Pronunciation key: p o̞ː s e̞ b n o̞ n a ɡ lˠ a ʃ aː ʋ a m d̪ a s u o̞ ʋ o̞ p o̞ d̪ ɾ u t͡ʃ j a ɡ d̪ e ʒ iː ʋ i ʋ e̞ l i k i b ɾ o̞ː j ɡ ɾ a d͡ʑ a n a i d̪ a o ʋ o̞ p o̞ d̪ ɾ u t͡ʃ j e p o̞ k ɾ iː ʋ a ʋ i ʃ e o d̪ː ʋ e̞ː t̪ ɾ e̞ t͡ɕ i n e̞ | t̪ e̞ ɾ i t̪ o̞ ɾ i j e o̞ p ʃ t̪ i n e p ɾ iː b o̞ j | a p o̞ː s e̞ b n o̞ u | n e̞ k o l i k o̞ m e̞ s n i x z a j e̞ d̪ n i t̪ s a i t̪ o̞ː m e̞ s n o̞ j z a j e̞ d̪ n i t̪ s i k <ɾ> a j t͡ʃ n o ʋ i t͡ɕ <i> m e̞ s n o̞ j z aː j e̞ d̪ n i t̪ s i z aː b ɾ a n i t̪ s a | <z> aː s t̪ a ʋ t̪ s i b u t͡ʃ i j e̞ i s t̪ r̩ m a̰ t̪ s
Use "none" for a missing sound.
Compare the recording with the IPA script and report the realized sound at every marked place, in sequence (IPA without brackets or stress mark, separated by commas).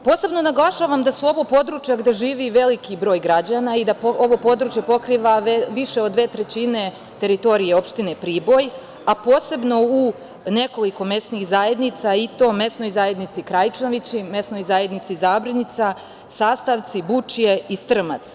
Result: ɾ, i, s